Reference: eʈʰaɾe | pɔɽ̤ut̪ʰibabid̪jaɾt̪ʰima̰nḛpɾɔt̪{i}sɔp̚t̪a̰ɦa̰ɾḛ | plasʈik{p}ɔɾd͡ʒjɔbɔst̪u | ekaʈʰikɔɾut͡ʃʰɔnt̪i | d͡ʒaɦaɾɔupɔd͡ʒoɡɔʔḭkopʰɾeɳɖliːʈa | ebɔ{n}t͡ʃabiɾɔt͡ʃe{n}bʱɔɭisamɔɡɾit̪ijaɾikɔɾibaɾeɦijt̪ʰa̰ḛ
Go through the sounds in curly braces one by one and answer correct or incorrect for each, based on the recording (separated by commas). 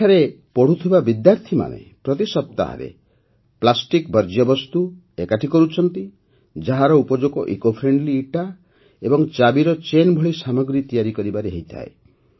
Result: correct, incorrect, incorrect, correct